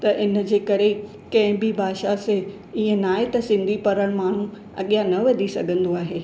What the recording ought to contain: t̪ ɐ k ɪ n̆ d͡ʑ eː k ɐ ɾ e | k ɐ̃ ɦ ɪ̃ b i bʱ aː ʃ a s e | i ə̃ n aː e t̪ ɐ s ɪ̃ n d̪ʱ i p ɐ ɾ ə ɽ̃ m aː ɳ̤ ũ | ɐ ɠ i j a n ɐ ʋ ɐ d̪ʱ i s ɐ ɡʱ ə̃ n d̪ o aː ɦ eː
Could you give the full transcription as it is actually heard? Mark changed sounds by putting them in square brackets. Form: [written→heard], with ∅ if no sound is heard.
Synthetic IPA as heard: t̪ ɐ [k→ʔ] ɪ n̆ d͡ʑ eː k ɐ ɾ e | k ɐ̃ ɦ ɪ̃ b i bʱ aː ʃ a s e | i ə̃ n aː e t̪ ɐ s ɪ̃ n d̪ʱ i p ɐ ɾ ə ɽ̃ m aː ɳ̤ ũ | ɐ ɠ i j a n ɐ ʋ ɐ d̪ʱ i s ɐ ɡʱ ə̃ n d̪ o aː ɦ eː